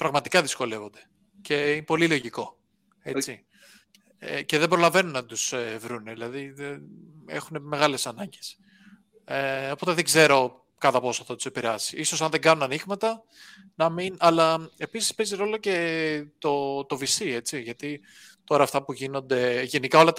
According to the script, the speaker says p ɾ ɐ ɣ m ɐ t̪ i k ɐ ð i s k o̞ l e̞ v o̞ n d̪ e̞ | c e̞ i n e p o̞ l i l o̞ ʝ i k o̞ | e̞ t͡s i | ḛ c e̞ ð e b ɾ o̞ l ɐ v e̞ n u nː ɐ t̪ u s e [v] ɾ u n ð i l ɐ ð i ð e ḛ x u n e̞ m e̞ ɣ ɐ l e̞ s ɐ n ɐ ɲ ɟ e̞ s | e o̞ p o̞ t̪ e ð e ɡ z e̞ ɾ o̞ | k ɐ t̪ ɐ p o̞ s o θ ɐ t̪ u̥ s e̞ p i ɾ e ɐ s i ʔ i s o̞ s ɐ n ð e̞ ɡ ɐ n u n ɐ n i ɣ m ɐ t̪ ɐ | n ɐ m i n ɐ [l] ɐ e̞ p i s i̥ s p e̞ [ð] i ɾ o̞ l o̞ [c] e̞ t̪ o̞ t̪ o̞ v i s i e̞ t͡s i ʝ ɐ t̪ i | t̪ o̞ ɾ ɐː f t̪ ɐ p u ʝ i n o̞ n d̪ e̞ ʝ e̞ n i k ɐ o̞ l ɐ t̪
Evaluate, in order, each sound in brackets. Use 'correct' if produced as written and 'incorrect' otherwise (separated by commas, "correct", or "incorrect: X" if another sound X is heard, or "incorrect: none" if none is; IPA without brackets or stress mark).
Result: correct, correct, incorrect: z, correct